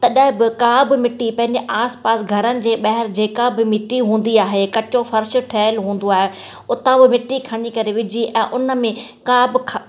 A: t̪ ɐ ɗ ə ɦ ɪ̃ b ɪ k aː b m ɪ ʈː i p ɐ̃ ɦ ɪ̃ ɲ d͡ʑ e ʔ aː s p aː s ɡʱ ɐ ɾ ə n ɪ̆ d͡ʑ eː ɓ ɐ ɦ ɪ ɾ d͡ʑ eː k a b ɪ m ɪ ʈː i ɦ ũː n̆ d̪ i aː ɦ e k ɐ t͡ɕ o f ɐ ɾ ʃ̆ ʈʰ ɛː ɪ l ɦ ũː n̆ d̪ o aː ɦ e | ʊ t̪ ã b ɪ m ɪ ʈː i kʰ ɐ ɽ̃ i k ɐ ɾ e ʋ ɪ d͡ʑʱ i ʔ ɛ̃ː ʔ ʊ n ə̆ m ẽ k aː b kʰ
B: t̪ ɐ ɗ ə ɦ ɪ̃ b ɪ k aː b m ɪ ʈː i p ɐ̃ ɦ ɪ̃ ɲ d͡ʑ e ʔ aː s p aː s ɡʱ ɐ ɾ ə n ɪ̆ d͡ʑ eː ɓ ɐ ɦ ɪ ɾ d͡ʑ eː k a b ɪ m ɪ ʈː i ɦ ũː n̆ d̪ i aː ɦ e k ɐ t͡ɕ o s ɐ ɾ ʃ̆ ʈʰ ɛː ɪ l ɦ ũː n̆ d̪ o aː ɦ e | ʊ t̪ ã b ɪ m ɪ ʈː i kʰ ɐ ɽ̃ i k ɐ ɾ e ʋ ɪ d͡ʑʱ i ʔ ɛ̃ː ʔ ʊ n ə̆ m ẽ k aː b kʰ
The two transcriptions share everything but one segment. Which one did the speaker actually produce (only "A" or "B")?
A